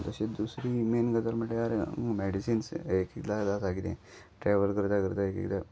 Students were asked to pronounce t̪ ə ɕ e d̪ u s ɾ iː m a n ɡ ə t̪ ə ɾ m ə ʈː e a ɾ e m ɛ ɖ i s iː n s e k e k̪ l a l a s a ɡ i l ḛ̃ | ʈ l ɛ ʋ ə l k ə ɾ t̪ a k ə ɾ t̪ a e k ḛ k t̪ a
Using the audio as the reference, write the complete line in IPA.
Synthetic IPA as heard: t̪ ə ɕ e d̪ u s ɾ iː m e n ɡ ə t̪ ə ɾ m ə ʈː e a ɾ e m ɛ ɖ i s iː n s e k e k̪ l a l a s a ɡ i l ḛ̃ | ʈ ɾ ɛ ʋ ə l k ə ɾ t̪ a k ə ɾ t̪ a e k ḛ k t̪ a